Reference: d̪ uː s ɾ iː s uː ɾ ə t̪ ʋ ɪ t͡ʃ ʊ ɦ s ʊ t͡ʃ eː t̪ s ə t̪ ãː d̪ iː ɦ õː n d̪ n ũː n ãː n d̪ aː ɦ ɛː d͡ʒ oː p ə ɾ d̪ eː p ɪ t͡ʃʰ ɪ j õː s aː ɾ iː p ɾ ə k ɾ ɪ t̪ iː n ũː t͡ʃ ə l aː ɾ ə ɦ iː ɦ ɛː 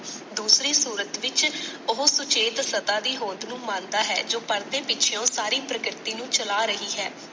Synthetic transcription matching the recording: d̪ uː s ɾ iː s uː ɾ ə t̪ ʋ ɪ t͡ʃ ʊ ɦ s ʊ t͡ʃ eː t̪ s ə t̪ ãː d̪ iː ɦ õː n d̪ n ũː m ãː n d̪ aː ɦ ɛː d͡ʒ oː p ə ɾ d̪ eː p ɪ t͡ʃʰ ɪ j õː s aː ɾ iː p ɾ ə k ɾ ɪ t̪ iː n ũː t͡ʃ ə l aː ɾ ə ɦ iː ɦ ɛː